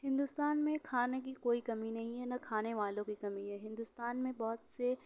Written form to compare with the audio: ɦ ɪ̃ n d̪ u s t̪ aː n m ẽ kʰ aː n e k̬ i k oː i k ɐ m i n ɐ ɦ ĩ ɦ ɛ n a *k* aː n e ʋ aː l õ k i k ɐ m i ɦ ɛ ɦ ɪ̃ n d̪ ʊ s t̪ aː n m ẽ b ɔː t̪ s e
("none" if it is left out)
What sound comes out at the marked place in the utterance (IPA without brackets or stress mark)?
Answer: kʰ